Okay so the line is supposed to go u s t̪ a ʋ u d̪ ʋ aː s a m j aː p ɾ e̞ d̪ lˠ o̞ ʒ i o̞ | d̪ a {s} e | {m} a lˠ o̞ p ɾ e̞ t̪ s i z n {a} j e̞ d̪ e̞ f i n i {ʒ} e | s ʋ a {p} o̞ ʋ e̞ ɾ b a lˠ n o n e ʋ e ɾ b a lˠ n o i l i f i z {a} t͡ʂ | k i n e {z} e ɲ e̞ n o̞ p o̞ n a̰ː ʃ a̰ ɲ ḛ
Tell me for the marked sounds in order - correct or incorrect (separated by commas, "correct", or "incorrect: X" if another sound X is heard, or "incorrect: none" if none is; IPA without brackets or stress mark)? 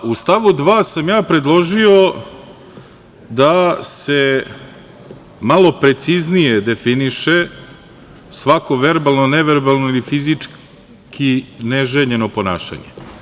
correct, correct, incorrect: i, incorrect: ʃ, incorrect: k, incorrect: i, incorrect: ʒ